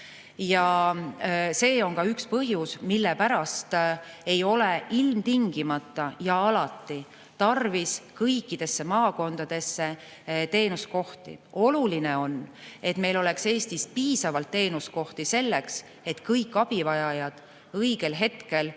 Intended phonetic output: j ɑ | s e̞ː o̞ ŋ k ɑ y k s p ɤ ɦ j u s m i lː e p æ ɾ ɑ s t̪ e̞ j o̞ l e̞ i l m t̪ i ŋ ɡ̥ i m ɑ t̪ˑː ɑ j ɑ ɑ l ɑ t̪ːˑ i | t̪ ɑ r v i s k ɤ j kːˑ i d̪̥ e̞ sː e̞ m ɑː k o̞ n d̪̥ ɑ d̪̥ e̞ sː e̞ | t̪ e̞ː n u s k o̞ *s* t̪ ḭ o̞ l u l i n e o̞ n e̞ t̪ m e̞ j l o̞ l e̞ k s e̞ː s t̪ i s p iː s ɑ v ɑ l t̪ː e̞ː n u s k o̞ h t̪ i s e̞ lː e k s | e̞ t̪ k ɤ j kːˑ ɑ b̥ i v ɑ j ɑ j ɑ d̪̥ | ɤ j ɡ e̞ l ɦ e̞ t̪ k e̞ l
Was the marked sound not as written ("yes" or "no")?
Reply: yes